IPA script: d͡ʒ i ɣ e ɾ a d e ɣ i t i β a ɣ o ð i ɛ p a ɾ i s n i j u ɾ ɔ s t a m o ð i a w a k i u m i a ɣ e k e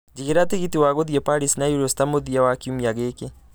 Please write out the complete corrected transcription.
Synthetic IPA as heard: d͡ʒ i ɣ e ɾ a t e ɣ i t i w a ɣ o ð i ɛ p a ɾ i s n a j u ɾ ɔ s t a m o ð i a w a k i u m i a ɣ e k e